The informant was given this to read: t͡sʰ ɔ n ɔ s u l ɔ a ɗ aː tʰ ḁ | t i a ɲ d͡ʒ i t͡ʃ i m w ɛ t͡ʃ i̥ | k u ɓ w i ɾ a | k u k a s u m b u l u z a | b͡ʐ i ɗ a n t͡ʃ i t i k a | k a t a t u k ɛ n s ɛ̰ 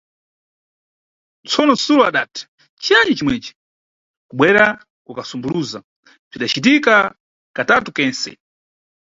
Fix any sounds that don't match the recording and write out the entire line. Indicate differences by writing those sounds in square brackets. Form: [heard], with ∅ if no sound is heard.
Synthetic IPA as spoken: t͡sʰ ɔ n ɔ s u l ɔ a ɗ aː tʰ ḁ | [t͡ʃ] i a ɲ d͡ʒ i t͡ʃ i m w ɛ t͡ʃ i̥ | k u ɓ w [ɛ] ɾ a | k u k a s u m b u l u z a | b͡ʐ i ɗ a [∅] t͡ʃ i t i k a | k a t a t u k ɛ n s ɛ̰